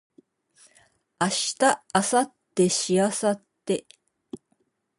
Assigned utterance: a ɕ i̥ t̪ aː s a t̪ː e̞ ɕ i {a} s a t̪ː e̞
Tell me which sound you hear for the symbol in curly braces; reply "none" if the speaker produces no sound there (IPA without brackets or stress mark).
a